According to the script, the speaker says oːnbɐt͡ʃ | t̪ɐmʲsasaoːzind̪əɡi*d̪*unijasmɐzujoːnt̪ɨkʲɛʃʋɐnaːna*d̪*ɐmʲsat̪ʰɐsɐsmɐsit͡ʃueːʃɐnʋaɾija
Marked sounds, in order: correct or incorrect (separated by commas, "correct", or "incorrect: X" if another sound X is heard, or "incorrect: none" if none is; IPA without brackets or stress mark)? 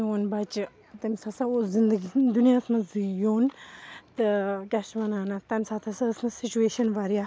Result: correct, incorrect: t̪